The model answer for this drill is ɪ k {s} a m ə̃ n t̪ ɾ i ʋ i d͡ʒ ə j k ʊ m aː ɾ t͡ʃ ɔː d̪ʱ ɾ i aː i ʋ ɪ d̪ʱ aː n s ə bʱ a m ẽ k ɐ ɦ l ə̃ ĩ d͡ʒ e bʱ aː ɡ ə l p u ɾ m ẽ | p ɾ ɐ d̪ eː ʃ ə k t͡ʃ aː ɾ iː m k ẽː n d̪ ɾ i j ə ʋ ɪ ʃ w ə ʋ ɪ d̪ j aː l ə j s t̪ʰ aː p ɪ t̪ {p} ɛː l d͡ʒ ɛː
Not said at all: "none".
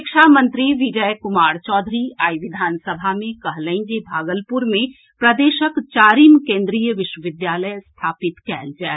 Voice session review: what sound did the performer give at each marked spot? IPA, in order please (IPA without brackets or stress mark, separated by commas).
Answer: ʃ, k